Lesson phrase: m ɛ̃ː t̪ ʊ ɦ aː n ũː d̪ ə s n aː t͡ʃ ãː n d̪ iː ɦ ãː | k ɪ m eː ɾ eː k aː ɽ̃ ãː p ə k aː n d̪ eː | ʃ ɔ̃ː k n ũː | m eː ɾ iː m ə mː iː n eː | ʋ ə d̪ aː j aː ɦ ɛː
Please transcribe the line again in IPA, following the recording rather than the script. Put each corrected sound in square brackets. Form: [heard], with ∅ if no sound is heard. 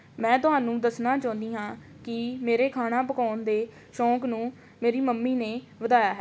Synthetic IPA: m ɛ̃ː t̪ ʊ ɦ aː n ũː d̪ ə s n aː t͡ʃ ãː n d̪ iː ɦ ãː | k ɪ m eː ɾ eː [kʰ] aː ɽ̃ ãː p ə k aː n d̪ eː | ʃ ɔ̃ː k n ũː | m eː ɾ iː m ə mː iː n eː | ʋ ə d̪ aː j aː ɦ ɛː